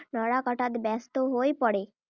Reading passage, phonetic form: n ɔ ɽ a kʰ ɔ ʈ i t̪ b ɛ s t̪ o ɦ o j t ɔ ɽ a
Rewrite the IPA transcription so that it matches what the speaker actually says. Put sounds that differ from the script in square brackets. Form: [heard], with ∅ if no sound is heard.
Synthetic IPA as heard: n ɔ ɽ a [k] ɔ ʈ [a] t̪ b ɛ s t̪ o ɦ o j [p] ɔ ɽ [e]